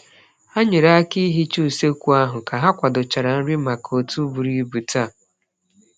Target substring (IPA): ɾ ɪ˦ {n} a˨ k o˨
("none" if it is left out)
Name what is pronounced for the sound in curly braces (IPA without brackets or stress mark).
m